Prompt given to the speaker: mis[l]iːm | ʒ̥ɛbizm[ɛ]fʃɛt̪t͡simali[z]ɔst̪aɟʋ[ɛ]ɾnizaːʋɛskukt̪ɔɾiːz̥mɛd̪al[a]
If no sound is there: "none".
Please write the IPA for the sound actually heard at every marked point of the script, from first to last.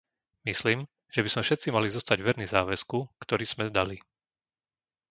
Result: l, ɛ, z, ɛ, i

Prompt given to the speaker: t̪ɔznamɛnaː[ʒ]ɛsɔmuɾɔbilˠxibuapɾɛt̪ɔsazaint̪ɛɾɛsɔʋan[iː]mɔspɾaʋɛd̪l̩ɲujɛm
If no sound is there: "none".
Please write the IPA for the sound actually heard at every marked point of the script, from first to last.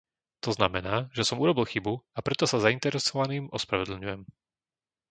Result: ʒ, iː

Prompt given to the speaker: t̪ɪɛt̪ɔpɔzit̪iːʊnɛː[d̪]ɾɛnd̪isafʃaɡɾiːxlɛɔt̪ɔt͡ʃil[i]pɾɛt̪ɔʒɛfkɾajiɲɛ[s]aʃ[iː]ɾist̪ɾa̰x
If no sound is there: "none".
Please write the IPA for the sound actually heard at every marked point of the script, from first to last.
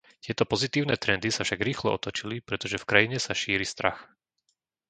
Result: t̪, i, s, iː

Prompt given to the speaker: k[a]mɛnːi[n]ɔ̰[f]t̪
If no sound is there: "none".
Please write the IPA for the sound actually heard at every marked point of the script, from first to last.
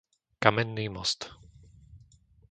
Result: a, m, s

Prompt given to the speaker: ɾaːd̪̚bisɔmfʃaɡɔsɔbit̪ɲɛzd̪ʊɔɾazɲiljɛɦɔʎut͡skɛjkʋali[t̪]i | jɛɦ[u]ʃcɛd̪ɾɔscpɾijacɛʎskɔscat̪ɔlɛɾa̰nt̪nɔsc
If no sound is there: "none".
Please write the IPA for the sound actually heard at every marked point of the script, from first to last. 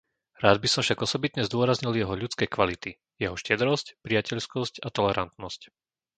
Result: t̪, ɔ

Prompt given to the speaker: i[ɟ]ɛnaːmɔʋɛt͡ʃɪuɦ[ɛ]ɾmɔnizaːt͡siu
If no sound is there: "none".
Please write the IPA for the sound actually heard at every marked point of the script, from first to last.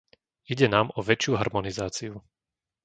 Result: ɟ, a

